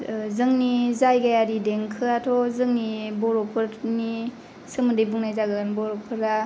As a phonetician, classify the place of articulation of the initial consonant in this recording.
alveolar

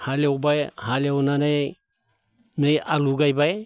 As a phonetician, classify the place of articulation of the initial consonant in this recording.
glottal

